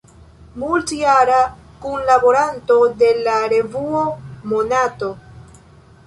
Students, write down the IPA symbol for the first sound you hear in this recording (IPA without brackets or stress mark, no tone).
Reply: m